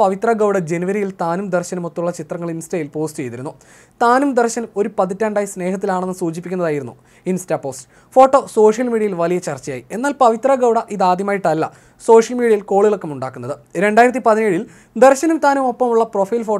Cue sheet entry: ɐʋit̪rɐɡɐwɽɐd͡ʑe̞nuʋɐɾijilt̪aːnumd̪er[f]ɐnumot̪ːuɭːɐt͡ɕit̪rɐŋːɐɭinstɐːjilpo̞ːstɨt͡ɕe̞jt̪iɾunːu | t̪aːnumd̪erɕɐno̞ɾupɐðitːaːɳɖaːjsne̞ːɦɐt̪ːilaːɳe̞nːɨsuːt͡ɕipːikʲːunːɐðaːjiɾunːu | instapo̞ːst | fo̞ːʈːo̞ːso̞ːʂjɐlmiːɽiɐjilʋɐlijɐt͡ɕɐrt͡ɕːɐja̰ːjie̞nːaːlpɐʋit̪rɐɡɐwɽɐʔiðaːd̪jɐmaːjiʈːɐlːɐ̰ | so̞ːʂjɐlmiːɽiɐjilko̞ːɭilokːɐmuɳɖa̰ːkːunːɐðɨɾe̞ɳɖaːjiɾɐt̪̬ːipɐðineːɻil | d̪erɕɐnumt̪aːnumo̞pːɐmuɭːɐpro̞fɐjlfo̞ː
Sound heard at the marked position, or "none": ɕ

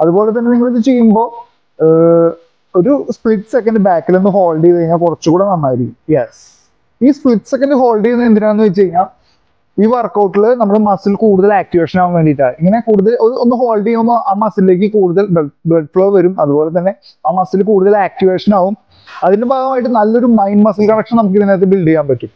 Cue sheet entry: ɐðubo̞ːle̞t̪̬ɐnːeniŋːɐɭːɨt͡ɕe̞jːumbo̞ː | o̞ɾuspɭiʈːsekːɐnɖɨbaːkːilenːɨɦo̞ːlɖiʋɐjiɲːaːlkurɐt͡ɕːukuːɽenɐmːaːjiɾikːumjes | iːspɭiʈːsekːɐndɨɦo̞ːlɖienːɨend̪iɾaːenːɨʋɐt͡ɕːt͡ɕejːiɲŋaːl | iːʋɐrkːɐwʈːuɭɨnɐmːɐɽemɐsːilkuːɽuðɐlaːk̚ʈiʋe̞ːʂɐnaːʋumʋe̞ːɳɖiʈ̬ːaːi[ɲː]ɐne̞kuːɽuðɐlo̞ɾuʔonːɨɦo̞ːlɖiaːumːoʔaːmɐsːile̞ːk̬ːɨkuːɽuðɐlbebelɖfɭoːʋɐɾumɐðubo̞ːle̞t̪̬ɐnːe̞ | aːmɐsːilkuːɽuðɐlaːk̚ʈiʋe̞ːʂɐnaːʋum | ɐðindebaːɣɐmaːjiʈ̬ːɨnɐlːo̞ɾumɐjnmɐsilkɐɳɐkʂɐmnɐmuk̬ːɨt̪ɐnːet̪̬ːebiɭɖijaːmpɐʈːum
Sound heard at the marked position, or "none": ŋː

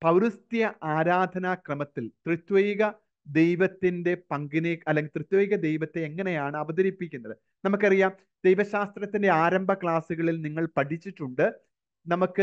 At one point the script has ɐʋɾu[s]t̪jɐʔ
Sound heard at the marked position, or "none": s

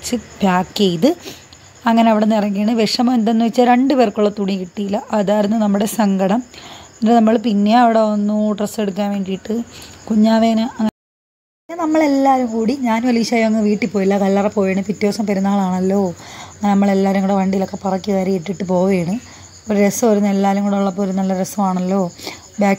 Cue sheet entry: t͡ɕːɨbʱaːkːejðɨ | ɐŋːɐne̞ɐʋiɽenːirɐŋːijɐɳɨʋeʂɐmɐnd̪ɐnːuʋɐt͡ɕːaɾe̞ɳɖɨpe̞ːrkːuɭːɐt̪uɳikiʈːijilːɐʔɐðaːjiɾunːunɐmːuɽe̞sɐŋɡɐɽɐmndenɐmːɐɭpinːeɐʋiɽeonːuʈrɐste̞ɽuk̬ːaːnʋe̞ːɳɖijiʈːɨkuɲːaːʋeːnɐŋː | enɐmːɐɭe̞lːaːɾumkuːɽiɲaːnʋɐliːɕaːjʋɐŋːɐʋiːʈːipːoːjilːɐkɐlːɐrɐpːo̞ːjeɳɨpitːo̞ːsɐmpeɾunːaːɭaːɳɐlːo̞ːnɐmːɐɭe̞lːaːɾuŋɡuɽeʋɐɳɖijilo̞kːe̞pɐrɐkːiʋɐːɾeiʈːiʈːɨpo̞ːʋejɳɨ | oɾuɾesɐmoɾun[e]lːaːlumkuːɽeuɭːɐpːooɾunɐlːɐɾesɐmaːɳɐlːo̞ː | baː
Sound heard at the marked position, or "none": e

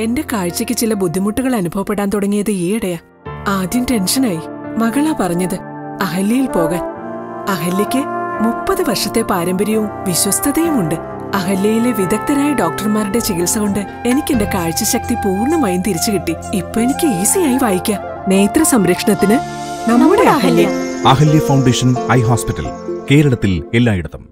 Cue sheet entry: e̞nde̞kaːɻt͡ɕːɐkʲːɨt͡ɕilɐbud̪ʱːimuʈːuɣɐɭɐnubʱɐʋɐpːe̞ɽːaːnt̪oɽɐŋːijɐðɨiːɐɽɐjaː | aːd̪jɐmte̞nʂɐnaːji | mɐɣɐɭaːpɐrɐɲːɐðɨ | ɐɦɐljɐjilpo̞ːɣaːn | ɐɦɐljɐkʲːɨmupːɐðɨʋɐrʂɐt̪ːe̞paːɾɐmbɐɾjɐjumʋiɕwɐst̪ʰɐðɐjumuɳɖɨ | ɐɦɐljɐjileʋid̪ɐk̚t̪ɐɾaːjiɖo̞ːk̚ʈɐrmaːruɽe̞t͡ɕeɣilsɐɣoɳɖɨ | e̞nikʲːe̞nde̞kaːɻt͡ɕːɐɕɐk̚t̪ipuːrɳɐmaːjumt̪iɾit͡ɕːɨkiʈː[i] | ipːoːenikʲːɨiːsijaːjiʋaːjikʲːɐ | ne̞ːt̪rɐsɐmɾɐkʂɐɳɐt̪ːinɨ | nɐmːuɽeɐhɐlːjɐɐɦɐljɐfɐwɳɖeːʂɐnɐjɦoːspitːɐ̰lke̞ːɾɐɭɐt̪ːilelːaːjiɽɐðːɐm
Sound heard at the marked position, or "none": i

